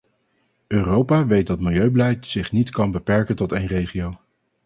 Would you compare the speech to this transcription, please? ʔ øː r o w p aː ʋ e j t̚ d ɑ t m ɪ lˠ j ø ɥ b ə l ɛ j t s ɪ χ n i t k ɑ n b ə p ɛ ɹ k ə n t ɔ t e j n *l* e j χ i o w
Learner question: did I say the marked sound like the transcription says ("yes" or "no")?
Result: no